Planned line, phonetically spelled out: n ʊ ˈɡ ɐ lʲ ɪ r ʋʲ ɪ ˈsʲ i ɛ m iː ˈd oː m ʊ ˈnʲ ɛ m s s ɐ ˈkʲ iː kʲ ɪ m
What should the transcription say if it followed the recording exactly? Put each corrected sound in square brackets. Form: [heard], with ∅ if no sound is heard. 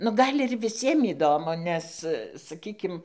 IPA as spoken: n ʊ ˈɡ ɐ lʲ ɪ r ʋʲ ɪ ˈsʲ i ɛ m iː ˈd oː m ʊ ˈnʲ ɛ [∅] s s ɐ ˈkʲ iː kʲ ɪ m